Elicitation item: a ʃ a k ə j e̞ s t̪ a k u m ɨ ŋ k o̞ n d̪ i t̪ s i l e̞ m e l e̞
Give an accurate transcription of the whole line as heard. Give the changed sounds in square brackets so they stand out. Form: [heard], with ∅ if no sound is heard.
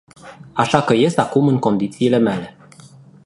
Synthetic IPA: a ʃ a k ə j e̞ s t̪ a k u m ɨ ŋ k o̞ n d̪ i t̪ s [iː] l e̞ m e l e̞